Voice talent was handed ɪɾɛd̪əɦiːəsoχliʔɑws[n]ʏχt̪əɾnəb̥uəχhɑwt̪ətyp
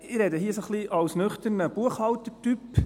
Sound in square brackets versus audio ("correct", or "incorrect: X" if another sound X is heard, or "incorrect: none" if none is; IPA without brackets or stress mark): correct